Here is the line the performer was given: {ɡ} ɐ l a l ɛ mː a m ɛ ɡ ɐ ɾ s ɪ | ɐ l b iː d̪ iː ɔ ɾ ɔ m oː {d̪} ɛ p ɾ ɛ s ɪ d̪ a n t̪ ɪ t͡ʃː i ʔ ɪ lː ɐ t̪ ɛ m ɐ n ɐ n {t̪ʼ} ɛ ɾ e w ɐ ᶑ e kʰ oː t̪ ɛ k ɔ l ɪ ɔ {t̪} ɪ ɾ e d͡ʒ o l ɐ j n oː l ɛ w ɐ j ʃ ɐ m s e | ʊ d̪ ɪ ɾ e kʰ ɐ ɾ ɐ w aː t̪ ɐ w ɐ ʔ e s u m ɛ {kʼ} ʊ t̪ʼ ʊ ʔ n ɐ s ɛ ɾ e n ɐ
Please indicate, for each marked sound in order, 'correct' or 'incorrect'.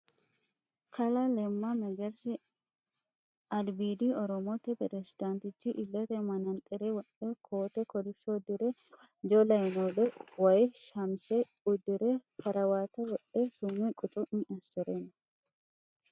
incorrect: k, incorrect: t̪, correct, incorrect: d̪, correct

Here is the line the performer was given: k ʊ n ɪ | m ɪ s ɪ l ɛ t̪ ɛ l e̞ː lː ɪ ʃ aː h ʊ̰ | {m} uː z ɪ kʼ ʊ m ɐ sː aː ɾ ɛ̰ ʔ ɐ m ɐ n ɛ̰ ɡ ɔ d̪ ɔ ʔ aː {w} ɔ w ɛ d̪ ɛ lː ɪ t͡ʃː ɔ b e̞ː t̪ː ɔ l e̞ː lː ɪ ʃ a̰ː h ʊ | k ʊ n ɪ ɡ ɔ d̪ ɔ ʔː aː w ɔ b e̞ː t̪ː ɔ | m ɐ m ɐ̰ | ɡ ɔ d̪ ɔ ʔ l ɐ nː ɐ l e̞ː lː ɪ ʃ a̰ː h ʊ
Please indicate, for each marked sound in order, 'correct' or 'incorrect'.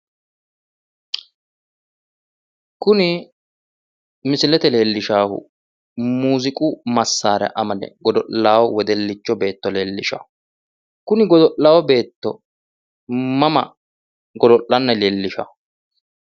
correct, correct

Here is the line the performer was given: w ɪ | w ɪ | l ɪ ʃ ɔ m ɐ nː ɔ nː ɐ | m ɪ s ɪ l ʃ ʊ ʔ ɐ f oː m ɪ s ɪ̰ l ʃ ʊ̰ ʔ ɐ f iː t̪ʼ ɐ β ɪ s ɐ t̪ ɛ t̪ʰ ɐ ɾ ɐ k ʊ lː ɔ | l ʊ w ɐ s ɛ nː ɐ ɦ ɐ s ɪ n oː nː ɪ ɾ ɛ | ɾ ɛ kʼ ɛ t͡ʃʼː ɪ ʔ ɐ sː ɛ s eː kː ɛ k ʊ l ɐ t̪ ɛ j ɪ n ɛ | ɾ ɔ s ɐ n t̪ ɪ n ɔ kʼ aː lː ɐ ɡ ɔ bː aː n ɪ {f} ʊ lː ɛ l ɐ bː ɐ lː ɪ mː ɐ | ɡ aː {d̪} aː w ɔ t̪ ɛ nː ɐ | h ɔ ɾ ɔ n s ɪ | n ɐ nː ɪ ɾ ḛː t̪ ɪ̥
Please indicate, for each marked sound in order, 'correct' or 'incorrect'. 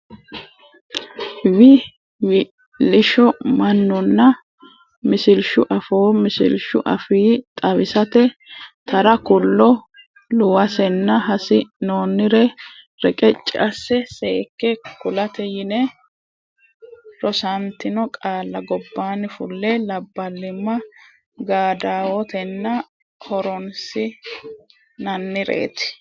correct, correct

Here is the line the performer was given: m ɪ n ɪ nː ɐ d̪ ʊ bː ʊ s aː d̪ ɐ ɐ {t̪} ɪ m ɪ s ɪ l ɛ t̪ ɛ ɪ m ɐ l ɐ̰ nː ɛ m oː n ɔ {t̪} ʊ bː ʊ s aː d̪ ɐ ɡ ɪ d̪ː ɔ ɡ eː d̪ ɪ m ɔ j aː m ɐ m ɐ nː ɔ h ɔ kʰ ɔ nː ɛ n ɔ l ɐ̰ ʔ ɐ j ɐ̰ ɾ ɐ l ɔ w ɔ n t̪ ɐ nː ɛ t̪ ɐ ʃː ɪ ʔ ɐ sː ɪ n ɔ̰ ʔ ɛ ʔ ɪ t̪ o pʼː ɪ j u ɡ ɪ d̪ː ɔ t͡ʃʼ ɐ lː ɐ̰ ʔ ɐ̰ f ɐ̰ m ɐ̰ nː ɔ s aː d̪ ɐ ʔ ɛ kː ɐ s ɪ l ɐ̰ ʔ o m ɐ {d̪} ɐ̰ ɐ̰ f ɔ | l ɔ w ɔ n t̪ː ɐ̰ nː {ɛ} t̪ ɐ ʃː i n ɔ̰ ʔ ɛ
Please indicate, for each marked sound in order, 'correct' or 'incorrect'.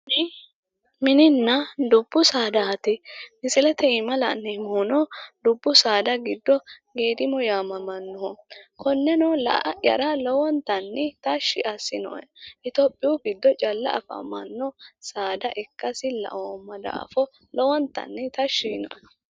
correct, incorrect: d̪, correct, correct

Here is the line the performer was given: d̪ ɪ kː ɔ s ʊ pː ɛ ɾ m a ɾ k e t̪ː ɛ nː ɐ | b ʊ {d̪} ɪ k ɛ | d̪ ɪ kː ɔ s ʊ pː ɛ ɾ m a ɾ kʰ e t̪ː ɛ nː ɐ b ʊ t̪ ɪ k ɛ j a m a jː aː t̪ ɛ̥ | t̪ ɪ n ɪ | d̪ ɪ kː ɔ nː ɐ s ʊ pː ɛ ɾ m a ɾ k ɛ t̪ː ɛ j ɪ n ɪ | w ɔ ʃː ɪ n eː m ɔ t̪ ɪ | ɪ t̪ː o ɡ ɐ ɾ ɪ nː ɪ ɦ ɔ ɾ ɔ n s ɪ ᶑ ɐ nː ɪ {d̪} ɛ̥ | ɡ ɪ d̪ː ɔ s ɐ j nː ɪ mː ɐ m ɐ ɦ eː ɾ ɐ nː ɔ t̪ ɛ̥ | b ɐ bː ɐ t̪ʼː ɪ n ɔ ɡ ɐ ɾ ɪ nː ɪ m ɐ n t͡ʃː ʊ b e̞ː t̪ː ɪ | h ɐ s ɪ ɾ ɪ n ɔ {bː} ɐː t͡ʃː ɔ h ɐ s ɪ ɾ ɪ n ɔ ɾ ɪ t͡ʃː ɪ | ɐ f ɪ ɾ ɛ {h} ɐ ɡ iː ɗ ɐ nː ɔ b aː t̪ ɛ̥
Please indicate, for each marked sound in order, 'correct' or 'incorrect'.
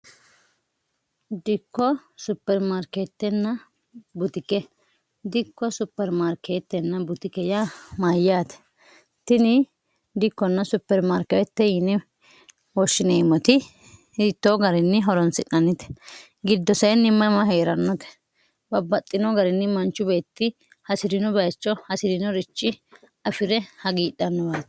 incorrect: t̪, incorrect: t̪, incorrect: b, correct

